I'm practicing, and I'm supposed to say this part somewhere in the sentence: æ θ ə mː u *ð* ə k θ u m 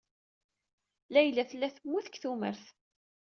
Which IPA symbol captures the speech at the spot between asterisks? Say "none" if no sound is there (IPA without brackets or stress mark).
θ